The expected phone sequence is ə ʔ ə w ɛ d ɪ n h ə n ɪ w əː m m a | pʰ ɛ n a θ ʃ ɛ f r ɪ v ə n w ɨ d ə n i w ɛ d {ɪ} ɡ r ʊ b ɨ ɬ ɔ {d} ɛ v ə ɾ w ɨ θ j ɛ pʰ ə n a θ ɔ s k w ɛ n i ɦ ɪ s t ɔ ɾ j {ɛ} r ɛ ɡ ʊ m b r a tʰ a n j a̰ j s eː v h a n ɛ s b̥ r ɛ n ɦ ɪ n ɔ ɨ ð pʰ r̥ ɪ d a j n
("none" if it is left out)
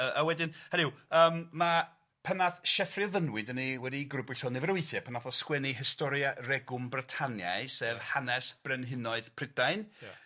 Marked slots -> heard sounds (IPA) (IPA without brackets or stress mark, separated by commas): i, n, a